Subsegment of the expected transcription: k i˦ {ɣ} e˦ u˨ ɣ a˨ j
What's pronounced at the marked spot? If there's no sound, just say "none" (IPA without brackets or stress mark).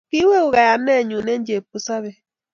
w